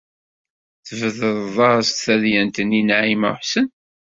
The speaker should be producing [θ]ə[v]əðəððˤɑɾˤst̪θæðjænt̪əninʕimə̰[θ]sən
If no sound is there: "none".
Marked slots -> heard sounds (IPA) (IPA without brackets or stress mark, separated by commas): θ, v, ħ